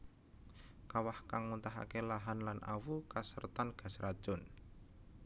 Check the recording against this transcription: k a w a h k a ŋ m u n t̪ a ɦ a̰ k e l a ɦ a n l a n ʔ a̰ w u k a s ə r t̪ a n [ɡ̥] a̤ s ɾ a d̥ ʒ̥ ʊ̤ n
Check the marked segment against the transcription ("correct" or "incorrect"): correct